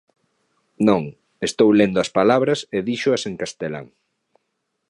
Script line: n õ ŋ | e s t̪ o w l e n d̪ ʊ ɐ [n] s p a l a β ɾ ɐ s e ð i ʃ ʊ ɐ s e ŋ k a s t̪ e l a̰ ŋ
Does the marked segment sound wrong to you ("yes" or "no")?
yes